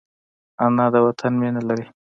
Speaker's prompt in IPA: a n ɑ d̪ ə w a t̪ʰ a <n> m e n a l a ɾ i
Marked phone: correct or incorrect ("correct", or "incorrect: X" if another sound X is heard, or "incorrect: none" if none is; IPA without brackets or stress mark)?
correct